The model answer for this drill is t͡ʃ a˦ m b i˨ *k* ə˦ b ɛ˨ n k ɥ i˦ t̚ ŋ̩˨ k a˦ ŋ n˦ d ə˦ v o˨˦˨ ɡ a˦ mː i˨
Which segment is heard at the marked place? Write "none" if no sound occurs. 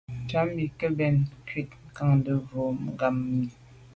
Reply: k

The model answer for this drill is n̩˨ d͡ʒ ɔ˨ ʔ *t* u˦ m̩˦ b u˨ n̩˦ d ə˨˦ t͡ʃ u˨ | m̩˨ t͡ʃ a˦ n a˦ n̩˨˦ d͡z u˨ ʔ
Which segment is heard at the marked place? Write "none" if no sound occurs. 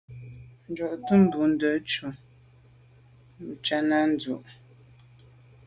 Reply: t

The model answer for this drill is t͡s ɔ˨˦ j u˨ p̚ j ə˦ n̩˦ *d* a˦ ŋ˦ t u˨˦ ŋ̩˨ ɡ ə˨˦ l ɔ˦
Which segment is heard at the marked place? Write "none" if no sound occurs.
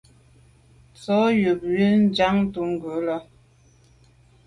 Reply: d͡ʒ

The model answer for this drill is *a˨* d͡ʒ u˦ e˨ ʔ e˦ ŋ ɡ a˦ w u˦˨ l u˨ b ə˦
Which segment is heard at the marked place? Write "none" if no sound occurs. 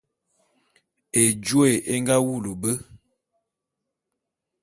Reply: e˨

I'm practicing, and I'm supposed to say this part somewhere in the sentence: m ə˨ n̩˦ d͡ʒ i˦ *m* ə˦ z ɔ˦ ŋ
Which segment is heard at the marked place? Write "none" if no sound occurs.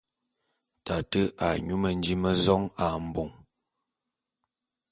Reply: m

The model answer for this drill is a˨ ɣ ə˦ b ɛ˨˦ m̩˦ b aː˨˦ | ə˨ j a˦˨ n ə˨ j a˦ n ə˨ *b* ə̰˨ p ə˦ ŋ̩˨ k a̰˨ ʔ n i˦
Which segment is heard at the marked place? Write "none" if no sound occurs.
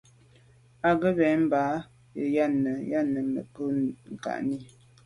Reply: m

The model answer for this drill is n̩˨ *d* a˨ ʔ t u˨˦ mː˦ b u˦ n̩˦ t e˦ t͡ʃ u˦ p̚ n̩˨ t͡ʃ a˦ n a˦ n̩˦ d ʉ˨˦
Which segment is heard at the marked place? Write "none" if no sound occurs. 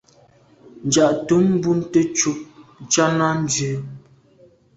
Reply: d͡ʒ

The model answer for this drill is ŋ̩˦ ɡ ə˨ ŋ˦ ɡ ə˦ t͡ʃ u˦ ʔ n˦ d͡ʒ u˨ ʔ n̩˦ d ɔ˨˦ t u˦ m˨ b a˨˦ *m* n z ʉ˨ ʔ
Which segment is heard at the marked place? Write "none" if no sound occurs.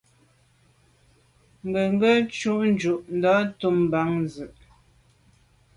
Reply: ŋ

